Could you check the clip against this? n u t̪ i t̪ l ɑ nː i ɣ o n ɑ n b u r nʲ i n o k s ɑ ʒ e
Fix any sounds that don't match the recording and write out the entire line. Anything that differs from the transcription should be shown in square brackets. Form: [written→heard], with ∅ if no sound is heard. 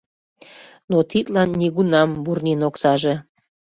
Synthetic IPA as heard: n [u→o] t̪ i t̪ l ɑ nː i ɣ [o→u] n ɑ [n→m] b u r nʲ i n o k s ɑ ʒ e